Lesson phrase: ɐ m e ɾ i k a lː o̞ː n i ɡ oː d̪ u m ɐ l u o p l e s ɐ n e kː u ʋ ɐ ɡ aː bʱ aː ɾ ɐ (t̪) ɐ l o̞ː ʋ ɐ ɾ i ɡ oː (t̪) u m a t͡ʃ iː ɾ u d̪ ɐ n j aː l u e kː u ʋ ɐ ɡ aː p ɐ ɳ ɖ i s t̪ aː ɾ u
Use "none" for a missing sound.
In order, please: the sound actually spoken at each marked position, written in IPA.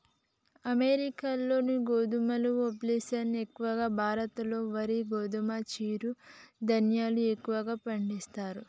t̪, d̪

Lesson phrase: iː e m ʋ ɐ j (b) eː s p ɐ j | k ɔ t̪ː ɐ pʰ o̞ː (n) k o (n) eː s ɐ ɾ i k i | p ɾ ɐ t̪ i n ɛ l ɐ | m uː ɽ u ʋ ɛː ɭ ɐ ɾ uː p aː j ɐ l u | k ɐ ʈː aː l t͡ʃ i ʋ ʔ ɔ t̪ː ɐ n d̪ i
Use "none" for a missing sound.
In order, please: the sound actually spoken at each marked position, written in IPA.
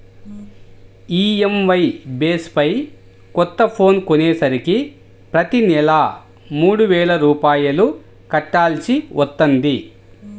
b, n, n

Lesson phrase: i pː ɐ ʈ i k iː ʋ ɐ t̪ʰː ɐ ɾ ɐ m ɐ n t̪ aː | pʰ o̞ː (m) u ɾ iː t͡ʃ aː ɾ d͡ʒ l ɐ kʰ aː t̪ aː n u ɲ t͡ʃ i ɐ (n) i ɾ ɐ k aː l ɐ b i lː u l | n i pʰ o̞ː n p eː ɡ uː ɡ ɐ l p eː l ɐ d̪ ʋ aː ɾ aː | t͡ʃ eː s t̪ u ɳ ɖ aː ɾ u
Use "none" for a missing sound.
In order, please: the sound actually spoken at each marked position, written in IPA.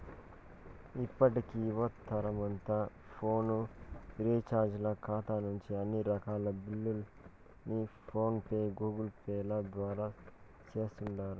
n, nː

